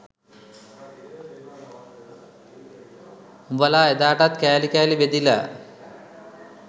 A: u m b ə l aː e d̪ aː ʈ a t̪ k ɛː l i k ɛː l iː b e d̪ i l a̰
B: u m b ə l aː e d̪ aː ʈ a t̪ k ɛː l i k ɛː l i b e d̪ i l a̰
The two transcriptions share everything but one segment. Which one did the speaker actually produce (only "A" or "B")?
B